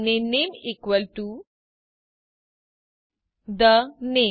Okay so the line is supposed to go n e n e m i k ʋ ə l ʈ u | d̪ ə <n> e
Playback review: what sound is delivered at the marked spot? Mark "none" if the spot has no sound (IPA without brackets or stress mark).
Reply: n